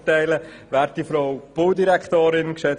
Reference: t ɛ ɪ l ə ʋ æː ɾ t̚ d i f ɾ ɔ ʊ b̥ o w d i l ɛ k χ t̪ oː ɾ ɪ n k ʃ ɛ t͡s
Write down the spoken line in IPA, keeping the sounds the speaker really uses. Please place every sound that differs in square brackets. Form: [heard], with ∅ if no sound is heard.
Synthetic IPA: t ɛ ɪ l ə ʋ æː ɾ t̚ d i f ɾ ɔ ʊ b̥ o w d i [ɾ] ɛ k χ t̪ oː ɾ ɪ n k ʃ ɛ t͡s